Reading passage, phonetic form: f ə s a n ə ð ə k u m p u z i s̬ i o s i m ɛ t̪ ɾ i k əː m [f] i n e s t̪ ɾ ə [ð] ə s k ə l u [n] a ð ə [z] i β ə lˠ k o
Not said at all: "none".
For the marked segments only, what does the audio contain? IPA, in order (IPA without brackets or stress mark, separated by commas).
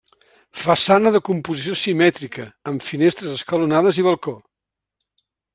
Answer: f, z, n, z